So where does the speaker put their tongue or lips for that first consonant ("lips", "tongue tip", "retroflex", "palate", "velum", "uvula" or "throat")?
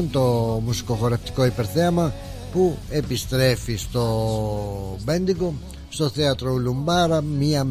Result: tongue tip